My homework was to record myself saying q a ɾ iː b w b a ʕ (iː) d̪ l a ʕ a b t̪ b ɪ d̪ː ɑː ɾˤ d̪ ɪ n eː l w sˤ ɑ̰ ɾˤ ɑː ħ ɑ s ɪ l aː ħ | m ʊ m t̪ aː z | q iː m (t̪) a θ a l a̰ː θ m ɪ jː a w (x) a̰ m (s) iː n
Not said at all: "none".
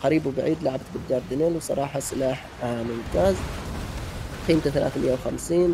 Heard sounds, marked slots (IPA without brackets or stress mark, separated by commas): iː, t̪, x, s